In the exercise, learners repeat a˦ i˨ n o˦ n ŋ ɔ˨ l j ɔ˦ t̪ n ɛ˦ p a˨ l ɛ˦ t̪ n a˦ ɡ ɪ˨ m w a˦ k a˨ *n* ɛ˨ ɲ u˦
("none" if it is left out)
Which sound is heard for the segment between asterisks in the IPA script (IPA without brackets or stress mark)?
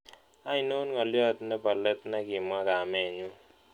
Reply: m